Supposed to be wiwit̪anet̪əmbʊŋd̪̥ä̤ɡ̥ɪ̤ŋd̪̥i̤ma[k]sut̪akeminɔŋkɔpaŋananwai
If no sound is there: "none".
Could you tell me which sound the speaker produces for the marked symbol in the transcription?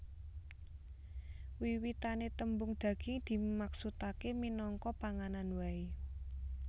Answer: k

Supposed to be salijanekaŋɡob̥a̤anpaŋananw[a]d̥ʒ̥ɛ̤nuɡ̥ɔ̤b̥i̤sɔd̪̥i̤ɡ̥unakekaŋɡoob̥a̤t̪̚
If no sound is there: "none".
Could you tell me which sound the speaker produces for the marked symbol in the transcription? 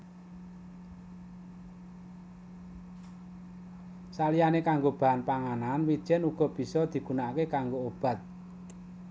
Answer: i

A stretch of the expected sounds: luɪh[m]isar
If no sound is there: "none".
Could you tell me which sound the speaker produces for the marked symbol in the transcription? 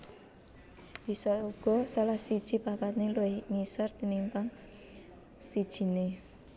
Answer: ŋ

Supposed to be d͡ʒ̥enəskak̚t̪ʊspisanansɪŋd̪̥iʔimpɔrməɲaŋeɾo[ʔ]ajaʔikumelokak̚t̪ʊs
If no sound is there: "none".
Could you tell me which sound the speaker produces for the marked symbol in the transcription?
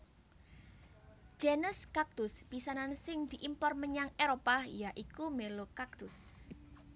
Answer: p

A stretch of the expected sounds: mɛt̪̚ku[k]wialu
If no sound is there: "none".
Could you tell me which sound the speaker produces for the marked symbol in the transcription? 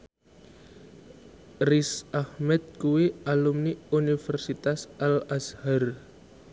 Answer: none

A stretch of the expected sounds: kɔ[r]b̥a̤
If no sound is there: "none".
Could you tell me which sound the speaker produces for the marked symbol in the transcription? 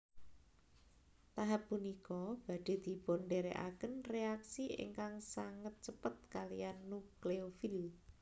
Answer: none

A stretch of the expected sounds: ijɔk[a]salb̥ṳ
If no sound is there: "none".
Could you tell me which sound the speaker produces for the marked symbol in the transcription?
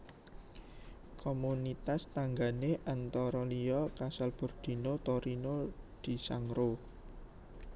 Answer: a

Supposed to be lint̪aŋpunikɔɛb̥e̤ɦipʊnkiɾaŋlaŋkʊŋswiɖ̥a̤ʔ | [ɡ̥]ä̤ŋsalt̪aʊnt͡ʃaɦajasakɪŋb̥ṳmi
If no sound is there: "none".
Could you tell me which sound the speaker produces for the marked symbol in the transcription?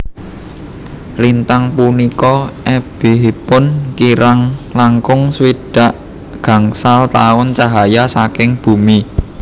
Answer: ɡ̥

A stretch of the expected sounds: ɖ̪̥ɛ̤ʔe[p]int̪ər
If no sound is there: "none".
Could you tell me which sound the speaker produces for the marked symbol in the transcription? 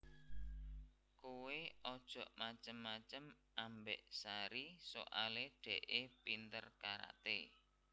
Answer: p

